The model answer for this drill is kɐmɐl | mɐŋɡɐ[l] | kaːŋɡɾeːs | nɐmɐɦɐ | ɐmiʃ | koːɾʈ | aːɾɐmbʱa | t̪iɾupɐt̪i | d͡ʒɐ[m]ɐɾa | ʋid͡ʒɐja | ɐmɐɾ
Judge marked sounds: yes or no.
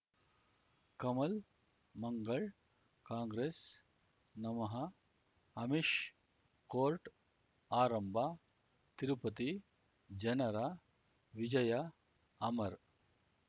no, no

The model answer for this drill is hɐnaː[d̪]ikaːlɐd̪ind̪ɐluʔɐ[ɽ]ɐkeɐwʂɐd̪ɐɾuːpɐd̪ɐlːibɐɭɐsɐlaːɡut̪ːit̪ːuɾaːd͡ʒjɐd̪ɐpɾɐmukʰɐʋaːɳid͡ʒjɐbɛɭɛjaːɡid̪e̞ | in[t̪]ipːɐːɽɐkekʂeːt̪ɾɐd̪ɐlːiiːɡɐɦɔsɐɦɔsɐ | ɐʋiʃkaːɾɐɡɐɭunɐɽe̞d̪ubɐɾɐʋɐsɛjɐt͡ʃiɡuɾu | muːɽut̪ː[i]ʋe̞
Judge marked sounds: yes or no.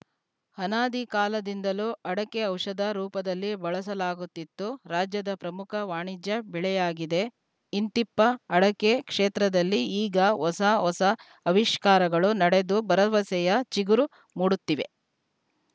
yes, yes, yes, yes

